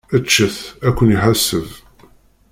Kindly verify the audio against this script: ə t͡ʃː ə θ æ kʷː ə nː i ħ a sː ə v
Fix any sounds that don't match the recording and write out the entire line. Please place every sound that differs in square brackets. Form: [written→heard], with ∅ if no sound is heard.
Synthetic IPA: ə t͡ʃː ə θ æ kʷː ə [nː→n] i ħ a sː ə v